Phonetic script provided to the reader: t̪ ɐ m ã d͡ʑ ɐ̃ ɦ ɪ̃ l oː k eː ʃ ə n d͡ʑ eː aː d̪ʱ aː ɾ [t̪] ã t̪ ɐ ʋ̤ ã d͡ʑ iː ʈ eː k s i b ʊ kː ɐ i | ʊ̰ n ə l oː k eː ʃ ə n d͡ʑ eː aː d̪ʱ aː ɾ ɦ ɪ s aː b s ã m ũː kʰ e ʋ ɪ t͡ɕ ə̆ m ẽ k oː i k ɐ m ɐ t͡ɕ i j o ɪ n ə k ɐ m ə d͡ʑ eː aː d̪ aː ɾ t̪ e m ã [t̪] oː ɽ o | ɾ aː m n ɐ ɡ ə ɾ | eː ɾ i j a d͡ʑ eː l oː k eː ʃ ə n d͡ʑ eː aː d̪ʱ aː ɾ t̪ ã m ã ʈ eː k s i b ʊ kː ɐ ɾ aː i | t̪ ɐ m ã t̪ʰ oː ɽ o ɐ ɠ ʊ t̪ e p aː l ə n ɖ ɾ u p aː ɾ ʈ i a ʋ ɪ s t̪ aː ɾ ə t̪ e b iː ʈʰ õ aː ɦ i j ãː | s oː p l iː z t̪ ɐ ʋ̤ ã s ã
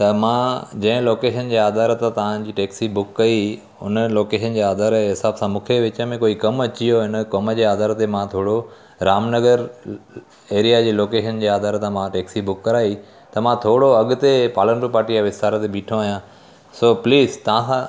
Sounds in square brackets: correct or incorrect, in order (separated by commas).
correct, incorrect